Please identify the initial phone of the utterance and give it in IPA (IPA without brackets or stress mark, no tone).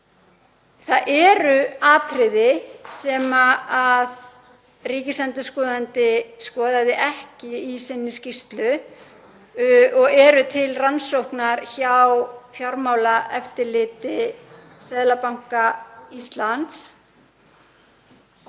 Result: θ